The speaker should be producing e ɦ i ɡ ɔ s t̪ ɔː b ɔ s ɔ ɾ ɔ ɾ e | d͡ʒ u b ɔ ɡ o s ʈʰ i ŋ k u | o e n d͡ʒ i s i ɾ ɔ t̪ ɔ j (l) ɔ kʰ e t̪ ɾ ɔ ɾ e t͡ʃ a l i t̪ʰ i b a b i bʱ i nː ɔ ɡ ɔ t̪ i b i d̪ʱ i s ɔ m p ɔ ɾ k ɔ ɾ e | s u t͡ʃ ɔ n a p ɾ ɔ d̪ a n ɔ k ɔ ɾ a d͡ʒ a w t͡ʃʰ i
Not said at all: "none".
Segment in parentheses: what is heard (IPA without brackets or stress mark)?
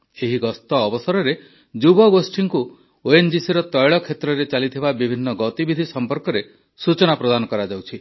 ɭ